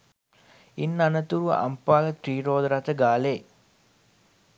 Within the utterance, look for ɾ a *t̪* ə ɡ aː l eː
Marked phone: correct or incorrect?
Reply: correct